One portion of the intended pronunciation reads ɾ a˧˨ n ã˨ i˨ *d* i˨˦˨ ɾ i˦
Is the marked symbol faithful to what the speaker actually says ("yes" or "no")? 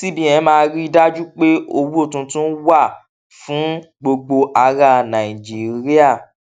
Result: no